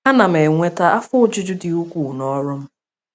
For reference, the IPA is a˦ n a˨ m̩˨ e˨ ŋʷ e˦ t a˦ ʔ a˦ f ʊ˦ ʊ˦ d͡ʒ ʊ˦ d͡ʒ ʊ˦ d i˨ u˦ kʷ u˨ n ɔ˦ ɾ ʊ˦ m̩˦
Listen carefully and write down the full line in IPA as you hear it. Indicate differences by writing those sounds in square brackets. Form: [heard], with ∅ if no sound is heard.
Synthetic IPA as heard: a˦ n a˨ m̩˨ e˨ ŋʷ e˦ t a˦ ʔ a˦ f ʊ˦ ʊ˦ d͡ʒ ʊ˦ d͡ʒ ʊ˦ d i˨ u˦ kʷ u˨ n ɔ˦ ɾ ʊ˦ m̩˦